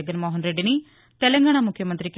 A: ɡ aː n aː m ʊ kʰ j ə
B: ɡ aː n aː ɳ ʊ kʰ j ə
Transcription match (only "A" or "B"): A